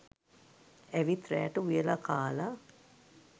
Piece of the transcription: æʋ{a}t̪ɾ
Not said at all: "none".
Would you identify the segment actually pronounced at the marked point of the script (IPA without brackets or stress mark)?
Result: i